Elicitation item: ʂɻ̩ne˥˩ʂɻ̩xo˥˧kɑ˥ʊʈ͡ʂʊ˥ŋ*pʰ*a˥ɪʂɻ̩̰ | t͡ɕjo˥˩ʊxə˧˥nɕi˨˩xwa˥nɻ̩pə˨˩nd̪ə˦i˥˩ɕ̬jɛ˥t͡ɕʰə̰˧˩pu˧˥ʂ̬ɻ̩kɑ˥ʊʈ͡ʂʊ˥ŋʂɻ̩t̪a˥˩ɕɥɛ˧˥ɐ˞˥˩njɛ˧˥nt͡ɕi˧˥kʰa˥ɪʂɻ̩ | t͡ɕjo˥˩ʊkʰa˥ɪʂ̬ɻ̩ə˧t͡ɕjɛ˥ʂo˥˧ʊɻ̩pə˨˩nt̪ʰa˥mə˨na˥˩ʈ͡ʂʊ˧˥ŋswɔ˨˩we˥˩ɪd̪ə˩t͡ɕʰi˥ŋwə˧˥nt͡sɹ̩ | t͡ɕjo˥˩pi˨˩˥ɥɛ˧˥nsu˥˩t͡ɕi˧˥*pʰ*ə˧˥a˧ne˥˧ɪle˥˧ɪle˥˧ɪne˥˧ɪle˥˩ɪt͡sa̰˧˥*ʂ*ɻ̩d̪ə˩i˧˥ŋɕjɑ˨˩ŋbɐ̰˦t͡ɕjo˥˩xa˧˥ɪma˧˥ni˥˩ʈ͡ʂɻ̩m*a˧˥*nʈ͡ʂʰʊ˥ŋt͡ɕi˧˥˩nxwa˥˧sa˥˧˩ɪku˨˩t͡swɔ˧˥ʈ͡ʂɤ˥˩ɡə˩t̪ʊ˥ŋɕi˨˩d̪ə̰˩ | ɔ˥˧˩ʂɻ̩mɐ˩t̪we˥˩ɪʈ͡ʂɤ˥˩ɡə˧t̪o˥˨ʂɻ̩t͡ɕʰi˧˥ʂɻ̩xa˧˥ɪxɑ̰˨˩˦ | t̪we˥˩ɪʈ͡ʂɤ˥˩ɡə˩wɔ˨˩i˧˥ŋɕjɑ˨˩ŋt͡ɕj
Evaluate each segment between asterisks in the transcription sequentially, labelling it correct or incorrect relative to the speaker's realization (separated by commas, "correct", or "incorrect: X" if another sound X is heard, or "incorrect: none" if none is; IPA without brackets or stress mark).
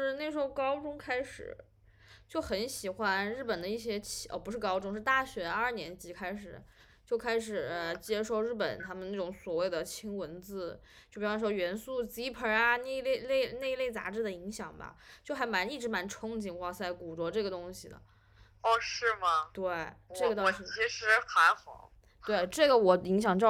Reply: incorrect: kʰ, correct, incorrect: ʈ͡ʂ, correct